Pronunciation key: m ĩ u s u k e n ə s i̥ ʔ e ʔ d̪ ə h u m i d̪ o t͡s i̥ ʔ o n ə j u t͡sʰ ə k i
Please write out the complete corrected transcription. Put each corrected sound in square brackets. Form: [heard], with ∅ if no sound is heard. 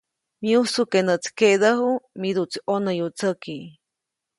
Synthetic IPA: m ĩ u s u k e n ə [t͡s] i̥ [k] e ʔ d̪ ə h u m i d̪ [u] t͡s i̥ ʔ o n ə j u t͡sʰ ə k i